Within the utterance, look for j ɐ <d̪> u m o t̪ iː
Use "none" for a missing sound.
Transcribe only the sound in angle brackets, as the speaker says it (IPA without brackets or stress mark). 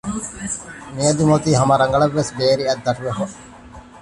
d̪